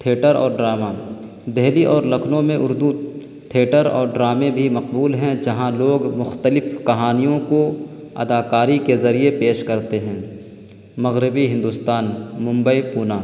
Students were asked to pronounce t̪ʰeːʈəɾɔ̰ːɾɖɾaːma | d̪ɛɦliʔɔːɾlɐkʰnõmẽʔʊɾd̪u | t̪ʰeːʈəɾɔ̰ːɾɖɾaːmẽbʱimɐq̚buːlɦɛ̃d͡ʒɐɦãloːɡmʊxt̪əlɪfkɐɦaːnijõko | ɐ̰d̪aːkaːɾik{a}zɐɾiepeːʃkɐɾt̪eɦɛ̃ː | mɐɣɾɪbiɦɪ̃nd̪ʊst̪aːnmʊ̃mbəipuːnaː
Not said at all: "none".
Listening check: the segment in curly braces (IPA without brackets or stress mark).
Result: e